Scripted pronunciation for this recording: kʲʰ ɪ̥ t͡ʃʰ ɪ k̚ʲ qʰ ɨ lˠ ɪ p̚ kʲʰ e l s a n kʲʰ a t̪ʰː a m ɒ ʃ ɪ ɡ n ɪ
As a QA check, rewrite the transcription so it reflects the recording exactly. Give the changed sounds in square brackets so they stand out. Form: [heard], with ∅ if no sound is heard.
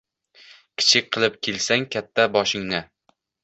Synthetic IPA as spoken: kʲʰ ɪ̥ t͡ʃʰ ɪ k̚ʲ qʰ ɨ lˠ ɪ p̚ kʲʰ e l s a [ŋ] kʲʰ a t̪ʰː a [b] ɒ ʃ ɪ [ŋ] n ɪ